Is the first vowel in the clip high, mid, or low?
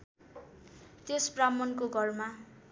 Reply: mid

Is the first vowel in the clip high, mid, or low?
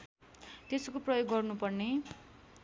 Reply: mid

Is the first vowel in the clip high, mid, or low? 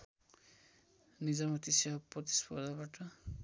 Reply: high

